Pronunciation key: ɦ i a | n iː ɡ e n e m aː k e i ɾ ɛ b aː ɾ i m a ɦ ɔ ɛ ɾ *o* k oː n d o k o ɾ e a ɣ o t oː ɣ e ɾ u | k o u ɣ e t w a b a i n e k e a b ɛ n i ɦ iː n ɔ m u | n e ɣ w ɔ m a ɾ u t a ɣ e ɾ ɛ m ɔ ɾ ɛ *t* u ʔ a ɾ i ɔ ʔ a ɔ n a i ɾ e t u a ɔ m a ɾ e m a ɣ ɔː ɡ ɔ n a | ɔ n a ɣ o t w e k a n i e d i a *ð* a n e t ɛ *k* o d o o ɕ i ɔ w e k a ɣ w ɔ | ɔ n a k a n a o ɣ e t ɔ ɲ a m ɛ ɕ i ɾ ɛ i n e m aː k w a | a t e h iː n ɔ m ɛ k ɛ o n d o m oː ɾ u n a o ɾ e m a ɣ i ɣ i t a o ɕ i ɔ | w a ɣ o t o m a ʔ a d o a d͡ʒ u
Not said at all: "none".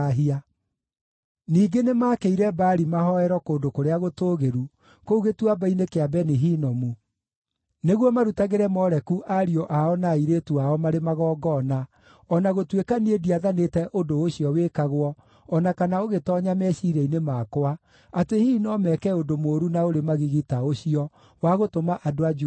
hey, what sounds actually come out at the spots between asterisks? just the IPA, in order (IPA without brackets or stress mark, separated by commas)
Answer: ɔ, k, ð, ʔ